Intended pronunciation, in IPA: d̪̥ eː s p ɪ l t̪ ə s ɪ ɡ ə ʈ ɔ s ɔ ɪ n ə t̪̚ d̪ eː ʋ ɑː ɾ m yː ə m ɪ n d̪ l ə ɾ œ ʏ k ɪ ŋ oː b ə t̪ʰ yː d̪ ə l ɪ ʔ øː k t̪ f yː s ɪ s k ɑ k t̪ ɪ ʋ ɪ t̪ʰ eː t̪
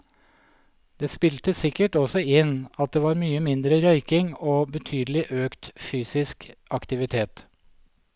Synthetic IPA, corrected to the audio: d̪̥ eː s p ɪ l t̪ ə s ɪ k ə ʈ ɔ s ɔ ɪ n ɑ t̪̚ d̪ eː ʋ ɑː ɾ m yː ə m ɪ n d̪ ɾ ə ɾ œ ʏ k ɪ ŋ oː b ə t̪ʰ yː d̪ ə l ɪ ʔ øː k t̪ f yː s ɪ s k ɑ k t̪ ɪ ʋ ɪ t̪ʰ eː t̪